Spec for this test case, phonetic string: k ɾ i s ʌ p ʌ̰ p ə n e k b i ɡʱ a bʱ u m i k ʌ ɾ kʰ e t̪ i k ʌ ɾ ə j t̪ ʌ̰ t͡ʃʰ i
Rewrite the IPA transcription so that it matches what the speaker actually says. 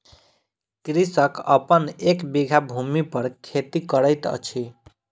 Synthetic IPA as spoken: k ɾ i s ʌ k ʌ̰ p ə n e k b i ɡʱ a bʱ u m i p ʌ ɾ kʰ e t̪ i k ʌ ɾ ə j t̪ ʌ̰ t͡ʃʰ i